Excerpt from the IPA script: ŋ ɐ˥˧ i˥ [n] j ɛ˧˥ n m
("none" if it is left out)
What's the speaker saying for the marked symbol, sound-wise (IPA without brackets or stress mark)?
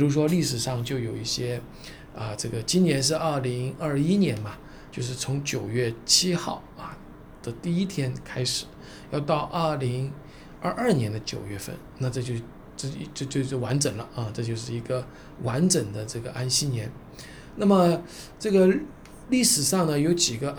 n